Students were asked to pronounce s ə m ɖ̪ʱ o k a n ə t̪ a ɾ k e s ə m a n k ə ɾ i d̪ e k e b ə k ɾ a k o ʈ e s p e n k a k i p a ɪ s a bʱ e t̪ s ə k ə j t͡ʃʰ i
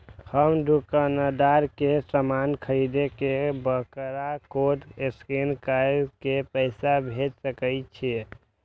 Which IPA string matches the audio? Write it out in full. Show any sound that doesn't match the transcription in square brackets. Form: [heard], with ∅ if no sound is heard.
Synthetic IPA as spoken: [h] ə m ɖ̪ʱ [u] k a n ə [d̪] a ɾ k e s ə m a n [kʰ] ə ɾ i d̪ e k e b ə k ɾ a k o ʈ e s [k] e n k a k [e] p [ə] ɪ s a bʱ e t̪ s ə k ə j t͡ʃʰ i